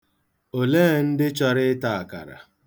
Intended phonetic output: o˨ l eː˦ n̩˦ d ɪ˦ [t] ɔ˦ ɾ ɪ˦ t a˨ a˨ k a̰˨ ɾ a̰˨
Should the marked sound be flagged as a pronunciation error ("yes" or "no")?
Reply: yes